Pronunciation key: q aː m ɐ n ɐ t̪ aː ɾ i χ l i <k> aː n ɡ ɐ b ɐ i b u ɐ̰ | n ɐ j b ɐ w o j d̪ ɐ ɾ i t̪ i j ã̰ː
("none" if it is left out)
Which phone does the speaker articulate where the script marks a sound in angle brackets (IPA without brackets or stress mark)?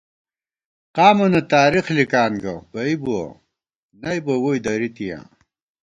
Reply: k